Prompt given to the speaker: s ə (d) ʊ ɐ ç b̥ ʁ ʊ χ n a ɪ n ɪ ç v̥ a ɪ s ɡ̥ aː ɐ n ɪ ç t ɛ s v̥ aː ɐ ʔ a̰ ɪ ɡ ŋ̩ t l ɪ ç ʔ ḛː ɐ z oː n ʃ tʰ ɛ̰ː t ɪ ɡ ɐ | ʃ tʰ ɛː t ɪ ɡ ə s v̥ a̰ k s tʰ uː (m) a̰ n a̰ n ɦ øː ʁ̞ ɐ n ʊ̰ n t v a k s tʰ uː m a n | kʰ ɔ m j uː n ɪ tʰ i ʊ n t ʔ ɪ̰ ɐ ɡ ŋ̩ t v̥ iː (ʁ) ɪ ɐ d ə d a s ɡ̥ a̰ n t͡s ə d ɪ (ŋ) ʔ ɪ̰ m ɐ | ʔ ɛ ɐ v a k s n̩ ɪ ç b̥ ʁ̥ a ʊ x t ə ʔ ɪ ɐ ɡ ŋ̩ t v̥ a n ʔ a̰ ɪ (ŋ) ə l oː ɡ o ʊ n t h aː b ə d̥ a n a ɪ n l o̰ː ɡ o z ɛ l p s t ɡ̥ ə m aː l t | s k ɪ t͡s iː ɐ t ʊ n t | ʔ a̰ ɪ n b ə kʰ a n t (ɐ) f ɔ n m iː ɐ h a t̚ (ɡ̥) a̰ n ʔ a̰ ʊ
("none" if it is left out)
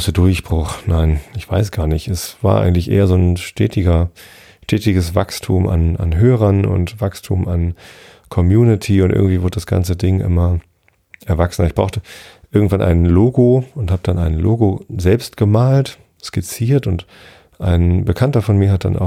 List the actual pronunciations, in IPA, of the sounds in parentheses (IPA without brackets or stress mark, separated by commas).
d, m, v, ŋ, n, ɐ, d̥